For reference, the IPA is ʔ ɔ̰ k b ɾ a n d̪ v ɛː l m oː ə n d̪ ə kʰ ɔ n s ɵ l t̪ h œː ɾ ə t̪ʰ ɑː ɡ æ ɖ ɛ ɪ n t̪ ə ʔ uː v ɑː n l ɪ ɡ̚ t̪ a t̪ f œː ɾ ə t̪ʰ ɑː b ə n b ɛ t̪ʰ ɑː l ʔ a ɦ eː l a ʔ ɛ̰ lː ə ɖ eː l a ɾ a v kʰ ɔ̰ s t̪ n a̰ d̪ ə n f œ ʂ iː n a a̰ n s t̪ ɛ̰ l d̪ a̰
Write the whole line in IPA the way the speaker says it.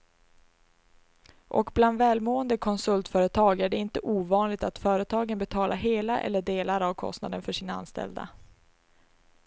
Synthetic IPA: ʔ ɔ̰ k b l a n d̪ v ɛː l m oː ə n d̪ ə kʰ ɔ n s ɵ l t̪ f œː ɾ ə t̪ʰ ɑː ɡ æ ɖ ɛ ɪ n t̪ ə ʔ uː v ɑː n l ɪ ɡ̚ t̪ a t̪ f œː ɾ ə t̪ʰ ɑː ɡ ə n b ɛ t̪ʰ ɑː l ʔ a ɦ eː l a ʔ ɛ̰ lː ə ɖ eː l a ɾ a v kʰ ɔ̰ s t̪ n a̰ d̪ ə n f œ ʂ iː n a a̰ n s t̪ ɛ̰ l d̪ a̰